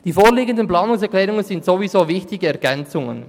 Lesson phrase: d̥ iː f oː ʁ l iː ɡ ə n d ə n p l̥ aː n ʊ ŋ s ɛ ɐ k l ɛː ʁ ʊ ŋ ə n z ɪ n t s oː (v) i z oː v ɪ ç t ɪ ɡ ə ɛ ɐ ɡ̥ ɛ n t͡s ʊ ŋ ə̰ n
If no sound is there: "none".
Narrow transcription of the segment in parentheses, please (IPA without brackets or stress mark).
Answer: v